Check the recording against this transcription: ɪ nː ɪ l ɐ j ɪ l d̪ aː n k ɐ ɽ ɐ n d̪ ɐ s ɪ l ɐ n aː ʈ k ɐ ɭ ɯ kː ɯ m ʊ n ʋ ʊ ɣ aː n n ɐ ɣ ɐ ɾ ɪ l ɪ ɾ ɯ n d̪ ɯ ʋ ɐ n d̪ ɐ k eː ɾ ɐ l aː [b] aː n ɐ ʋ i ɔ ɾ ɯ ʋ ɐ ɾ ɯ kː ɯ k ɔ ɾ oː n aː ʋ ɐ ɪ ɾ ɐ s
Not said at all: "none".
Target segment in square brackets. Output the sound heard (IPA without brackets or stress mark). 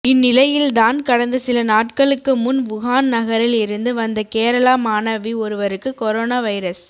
m